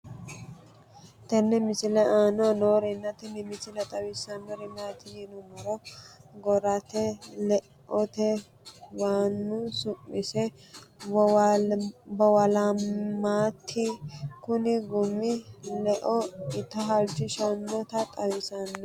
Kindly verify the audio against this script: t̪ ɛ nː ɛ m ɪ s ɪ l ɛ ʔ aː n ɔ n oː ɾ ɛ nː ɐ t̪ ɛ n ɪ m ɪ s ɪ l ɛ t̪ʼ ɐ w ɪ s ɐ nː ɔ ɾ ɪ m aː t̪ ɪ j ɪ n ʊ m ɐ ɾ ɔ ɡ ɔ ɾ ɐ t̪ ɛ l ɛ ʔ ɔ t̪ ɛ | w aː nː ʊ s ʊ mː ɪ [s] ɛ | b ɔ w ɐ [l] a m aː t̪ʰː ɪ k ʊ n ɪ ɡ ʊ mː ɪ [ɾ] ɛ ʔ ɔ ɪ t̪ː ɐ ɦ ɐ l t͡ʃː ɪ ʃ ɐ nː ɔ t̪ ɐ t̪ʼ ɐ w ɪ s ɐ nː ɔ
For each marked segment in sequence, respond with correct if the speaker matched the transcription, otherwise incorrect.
correct, correct, incorrect: l

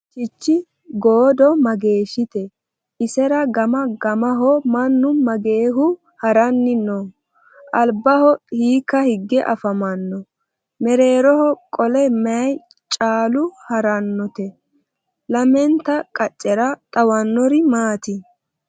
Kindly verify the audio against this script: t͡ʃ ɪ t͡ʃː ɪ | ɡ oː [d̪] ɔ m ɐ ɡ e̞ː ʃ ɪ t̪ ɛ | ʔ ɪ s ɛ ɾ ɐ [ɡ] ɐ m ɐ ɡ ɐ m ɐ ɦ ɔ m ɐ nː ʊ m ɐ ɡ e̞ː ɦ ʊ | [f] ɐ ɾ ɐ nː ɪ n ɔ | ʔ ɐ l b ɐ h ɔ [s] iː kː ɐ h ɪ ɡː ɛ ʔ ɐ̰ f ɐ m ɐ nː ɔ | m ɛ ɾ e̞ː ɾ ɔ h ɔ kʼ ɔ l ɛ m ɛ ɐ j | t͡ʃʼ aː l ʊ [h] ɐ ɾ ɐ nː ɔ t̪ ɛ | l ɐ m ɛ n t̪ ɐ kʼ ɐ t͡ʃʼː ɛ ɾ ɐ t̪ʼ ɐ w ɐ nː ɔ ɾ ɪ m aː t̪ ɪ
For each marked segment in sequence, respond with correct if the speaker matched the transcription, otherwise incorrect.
correct, correct, incorrect: h, incorrect: h, correct

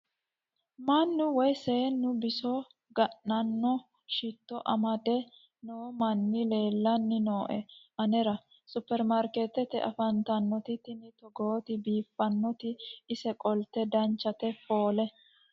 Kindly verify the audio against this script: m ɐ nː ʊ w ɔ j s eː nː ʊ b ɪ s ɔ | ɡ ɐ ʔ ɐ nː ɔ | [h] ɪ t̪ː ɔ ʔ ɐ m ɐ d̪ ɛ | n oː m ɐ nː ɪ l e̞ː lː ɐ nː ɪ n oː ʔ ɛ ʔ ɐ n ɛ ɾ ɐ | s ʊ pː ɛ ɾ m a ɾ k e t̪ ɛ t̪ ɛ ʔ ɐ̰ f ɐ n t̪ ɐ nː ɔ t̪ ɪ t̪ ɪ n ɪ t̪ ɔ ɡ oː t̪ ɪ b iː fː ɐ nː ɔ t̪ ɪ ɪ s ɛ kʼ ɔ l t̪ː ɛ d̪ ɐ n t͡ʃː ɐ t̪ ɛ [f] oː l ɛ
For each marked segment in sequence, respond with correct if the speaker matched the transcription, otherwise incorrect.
incorrect: ʃ, correct

